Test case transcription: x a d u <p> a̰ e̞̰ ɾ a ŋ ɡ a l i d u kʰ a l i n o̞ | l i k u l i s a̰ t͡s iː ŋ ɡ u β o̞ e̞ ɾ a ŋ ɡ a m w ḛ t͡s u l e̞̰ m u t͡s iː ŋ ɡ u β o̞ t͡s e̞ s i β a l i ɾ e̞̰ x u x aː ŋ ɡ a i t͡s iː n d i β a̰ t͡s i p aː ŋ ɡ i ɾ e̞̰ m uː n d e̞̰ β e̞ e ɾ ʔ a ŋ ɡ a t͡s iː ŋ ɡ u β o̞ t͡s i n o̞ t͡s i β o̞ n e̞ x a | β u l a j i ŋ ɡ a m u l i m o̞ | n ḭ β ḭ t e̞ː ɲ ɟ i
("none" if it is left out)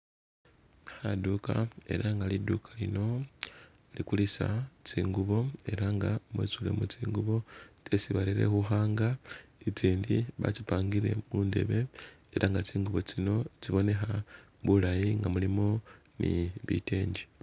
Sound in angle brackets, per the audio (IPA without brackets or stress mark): k